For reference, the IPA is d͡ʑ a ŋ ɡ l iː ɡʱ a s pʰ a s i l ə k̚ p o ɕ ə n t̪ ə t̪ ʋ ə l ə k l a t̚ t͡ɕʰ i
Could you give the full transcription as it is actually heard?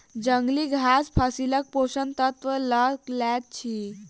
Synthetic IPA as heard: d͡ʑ ə ŋ ɡ l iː ɡʱ a s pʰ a s i l ə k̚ p o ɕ ə n t̪ ə t̪ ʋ ə l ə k l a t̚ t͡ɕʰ i